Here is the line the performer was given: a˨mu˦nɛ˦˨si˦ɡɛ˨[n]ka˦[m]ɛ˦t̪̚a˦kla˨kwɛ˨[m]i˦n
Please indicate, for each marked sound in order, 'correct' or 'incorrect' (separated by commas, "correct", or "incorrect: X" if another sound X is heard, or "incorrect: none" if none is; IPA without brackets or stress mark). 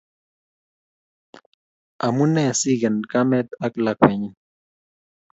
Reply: correct, correct, incorrect: ɲ